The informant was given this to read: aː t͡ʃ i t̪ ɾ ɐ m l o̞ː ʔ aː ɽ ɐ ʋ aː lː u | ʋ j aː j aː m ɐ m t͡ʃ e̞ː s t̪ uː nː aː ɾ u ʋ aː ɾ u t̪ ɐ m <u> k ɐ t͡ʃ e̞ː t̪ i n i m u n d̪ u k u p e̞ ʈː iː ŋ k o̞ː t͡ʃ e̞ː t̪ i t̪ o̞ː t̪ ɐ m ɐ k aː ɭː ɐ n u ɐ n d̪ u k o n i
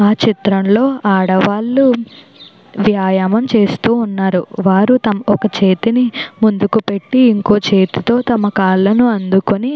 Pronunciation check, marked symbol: incorrect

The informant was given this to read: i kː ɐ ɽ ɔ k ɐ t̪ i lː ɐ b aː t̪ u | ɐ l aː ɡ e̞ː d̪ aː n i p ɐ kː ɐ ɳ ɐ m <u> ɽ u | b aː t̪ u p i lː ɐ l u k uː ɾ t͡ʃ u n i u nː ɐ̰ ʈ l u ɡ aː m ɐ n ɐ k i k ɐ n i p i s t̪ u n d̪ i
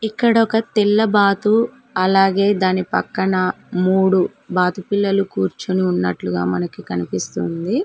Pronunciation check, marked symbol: incorrect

